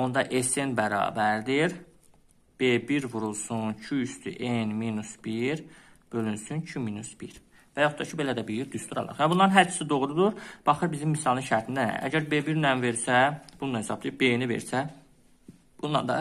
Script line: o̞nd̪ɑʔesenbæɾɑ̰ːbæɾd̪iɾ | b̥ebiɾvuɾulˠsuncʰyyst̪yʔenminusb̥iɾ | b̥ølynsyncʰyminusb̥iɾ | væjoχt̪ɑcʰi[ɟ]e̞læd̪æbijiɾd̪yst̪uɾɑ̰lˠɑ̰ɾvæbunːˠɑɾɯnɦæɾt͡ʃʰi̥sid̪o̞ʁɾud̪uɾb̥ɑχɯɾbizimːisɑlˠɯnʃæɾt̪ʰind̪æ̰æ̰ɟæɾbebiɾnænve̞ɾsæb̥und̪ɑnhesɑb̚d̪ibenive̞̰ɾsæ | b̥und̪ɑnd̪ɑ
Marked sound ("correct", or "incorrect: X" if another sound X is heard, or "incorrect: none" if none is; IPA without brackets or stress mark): incorrect: b